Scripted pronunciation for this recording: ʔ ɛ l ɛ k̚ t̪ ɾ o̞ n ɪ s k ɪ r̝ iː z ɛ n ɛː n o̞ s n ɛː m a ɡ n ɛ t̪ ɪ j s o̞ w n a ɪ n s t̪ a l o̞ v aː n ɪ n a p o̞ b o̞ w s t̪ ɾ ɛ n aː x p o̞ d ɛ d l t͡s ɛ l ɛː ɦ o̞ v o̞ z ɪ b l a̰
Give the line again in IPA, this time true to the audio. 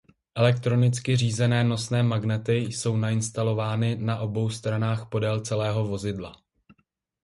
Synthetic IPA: ʔ ɛ l ɛ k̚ t̪ ɾ o̞ n ɪ t͡s k ɪ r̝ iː z ɛ n ɛː n o̞ s n ɛː m a ɡ n ɛ t̪ ɪ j s o̞ w n a ɪ n s t̪ a l o̞ v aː n ɪ n a ʔ o̞ b o̞ w s t̪ ɾ a n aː x p o̞ d ɛ l t͡s ɛ l ɛː ɦ o̞ v o̞ z ɪ d l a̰